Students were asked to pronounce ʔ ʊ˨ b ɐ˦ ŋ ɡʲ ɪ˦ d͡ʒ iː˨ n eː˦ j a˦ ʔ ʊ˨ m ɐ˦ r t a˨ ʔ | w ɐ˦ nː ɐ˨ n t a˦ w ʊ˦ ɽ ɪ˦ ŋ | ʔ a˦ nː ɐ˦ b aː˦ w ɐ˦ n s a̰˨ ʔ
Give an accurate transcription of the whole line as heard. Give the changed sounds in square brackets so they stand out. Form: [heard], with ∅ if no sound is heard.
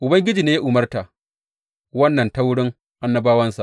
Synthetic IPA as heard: ʔ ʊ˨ b ɐ˦ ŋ ɡʲ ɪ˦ d͡ʒ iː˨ n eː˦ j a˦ ʔ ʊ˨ m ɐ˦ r t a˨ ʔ | w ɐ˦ nː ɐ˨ n t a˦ w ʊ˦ ɽ ɪ˦ ŋ | ʔ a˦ nː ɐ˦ b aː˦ w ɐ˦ n s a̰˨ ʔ